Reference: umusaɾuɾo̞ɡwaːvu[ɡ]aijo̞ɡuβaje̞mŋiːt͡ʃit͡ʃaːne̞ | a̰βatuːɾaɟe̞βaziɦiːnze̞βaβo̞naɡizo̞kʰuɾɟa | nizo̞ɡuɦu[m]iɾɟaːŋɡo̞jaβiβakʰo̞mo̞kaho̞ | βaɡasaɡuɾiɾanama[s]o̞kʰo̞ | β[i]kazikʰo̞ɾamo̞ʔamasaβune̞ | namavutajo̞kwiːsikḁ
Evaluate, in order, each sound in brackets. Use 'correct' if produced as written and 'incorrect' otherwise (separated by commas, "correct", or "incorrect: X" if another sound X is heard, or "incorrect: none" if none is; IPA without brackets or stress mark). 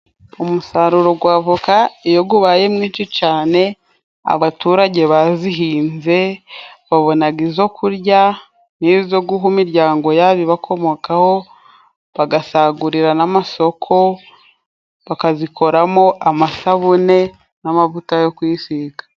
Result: incorrect: k, correct, correct, incorrect: a